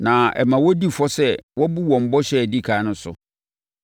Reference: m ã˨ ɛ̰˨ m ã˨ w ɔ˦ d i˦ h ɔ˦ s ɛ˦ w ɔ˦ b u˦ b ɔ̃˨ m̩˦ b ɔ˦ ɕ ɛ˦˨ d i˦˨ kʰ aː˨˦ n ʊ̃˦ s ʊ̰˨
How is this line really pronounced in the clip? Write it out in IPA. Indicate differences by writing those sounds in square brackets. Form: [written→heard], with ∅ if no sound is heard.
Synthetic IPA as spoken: [m→n] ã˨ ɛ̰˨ m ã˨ w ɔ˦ d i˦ [h→f] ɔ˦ s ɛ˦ w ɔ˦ b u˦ [b→w] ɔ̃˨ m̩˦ b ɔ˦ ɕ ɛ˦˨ d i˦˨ kʰ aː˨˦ n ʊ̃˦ s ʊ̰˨